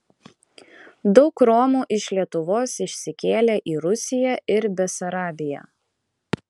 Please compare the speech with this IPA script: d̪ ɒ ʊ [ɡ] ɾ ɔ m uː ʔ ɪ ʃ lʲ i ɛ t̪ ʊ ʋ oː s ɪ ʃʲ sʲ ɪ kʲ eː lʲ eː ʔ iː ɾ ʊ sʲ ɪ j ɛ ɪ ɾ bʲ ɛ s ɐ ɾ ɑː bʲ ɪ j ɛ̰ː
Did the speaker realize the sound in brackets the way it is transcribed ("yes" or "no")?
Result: no